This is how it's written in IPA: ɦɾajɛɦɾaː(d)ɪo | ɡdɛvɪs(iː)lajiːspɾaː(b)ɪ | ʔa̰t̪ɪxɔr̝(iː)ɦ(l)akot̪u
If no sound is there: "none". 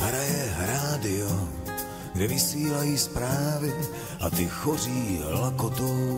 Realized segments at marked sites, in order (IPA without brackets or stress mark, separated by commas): d, iː, v, iː, l